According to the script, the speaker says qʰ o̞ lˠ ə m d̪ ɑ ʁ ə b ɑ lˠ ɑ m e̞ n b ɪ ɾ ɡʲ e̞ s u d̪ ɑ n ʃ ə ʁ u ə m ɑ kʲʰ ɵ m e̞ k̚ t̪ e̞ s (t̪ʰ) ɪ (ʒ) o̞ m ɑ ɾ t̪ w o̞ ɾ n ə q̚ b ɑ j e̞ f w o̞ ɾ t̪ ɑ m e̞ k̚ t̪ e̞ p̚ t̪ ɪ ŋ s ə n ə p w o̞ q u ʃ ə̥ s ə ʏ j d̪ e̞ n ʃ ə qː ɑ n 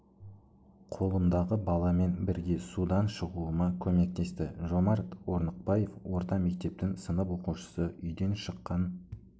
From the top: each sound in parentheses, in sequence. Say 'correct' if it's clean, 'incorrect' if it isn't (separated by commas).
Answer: incorrect, correct